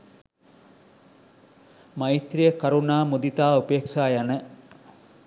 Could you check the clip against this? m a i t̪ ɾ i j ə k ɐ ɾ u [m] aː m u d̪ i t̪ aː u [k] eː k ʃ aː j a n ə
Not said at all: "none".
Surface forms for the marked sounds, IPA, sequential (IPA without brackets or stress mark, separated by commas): n, p